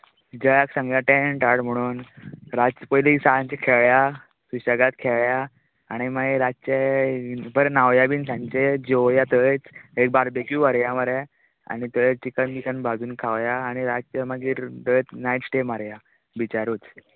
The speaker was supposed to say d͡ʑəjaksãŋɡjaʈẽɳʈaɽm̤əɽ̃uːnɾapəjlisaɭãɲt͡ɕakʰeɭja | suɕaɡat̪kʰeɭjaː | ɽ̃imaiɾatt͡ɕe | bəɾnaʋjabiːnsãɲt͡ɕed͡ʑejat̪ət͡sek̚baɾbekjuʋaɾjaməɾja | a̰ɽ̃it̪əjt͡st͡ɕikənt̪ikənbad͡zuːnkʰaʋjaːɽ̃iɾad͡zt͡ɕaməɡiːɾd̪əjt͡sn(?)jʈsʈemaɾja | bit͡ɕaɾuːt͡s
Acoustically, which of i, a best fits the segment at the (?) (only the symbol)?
a